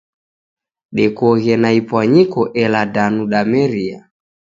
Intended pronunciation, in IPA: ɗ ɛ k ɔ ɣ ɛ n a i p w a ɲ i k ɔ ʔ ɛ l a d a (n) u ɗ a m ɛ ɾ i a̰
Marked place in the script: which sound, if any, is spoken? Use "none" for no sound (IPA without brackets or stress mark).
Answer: n